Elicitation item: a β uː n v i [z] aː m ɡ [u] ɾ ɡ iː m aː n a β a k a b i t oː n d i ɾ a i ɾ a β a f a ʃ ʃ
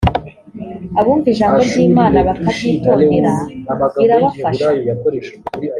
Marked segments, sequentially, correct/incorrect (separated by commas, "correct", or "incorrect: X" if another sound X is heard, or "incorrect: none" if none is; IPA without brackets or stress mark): incorrect: ʒ, incorrect: o